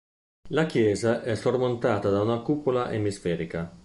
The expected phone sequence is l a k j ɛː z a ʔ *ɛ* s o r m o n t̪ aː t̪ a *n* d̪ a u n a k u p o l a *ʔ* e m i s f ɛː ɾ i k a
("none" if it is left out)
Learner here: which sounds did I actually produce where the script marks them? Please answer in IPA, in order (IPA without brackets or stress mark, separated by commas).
ɛ, none, ʔ